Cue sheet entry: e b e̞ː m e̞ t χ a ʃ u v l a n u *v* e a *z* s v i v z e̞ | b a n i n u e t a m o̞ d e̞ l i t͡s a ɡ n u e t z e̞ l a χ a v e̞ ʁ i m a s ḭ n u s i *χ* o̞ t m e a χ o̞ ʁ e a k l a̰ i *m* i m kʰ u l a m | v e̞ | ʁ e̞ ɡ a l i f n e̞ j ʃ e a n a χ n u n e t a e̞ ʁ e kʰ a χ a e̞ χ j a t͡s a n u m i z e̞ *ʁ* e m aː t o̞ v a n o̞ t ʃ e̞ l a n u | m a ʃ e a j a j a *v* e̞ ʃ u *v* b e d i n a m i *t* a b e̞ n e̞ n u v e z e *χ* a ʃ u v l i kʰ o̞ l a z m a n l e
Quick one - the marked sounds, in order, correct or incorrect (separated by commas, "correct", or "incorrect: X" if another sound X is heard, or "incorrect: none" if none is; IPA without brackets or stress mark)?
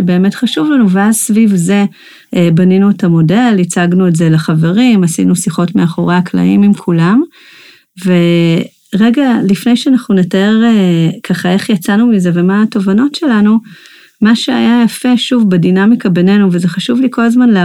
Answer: correct, correct, correct, correct, incorrect: v, incorrect: f, correct, incorrect: k, correct